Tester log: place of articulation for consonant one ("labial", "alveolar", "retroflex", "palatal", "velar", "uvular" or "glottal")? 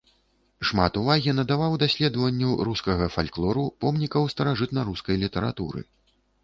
retroflex